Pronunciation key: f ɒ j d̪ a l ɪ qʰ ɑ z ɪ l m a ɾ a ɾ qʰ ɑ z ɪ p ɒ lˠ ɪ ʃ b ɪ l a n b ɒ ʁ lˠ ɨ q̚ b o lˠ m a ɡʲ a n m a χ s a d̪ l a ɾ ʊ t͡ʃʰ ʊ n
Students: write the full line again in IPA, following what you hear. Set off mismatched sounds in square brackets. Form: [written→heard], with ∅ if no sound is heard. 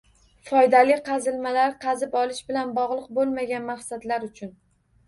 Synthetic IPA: f ɒ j d̪ a l ɪ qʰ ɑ z ɪ l m a [ɾ→l] a ɾ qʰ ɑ z ɪ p ɒ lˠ ɪ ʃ b ɪ l a n b ɒ ʁ lˠ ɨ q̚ b o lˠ m a ɡʲ a n m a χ s a d̪ l a ɾ ʊ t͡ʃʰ ʊ n